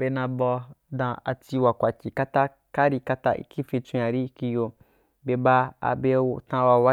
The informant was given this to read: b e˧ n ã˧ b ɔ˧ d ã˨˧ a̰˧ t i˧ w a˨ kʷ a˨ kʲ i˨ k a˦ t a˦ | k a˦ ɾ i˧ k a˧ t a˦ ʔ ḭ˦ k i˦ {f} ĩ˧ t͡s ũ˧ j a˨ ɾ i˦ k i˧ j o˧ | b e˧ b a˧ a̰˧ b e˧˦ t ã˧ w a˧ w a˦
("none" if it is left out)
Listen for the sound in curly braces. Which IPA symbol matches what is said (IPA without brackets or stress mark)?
f